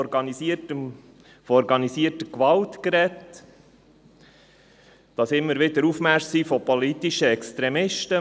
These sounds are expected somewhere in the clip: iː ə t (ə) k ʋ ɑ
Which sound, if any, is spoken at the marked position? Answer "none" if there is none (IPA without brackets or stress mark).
ə